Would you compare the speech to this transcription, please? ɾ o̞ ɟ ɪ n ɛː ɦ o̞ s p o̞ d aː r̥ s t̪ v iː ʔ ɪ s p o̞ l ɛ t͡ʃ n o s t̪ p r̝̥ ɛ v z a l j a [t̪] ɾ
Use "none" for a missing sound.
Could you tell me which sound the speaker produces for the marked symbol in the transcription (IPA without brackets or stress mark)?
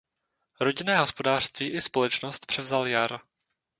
none